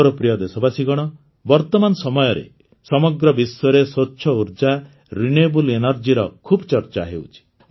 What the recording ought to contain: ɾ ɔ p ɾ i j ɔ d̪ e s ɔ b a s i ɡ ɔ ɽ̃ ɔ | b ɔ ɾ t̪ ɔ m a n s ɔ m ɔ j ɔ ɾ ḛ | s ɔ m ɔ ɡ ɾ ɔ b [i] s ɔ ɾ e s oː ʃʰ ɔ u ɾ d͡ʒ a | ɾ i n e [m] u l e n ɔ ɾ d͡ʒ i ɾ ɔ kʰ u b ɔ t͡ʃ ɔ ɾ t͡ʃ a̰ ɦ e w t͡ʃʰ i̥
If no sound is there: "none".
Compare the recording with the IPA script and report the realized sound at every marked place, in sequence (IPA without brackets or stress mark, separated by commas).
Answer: i, b